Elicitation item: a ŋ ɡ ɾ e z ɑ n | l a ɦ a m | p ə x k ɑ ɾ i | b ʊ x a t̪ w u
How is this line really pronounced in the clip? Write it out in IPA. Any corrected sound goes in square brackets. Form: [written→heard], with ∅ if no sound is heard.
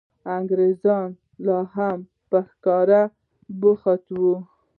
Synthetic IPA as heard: a ŋ ɡ ɾ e z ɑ n | l [a→ɑ] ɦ a m | p ə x k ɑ ɾ [i→a] | b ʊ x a t̪ w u